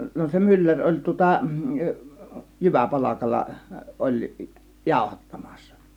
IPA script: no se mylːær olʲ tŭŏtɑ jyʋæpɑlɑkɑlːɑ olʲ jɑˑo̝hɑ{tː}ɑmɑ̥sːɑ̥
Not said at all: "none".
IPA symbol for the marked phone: tː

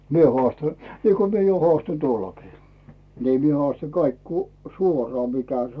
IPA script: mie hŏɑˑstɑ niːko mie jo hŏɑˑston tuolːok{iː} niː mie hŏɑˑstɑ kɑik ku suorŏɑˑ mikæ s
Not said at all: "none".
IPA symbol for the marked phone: iː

